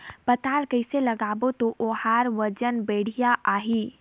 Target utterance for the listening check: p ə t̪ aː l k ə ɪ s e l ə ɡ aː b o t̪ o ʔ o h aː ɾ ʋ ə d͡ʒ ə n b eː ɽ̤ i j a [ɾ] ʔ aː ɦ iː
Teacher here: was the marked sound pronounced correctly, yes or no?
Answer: no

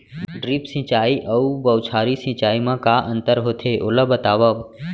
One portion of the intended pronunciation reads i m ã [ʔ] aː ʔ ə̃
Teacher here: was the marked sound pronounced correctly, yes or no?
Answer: no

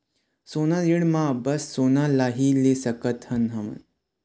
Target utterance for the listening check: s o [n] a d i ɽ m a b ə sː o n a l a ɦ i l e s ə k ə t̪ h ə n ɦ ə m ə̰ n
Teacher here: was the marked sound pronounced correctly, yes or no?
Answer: yes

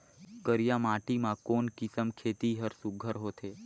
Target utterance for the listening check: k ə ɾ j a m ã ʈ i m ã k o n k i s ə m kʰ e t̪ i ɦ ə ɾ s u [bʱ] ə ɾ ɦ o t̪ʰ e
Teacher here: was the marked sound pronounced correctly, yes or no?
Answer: no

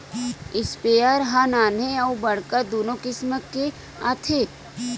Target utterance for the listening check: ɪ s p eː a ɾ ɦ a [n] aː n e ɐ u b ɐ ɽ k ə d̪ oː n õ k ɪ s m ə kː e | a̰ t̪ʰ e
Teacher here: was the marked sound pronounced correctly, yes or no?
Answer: yes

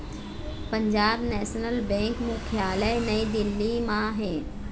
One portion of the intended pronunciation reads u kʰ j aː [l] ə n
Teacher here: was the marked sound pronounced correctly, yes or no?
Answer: yes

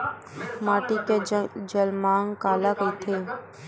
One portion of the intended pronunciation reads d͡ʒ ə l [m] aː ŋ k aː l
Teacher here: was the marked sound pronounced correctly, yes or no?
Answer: yes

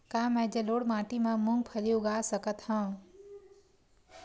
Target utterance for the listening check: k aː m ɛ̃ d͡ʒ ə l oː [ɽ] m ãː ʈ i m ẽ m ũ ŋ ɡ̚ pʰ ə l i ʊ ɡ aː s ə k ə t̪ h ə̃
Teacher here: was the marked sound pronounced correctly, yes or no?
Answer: yes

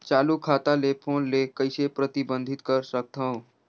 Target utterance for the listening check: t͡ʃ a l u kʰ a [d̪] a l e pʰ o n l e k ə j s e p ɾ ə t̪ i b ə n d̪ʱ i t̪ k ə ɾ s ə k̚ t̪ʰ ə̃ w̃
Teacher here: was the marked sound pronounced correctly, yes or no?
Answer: no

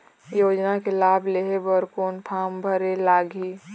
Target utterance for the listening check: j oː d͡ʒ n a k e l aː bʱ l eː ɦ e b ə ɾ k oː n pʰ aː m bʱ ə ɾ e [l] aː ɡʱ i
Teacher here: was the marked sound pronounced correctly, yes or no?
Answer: yes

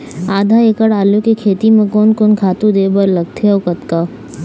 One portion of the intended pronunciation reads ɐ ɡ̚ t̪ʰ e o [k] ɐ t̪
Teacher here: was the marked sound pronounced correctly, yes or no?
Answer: yes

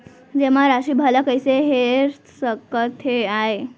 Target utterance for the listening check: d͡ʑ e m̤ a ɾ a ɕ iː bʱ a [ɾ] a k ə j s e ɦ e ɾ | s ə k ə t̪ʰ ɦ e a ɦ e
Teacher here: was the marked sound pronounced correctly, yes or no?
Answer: no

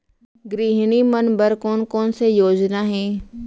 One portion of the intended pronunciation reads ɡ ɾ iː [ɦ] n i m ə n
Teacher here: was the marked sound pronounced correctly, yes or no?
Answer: yes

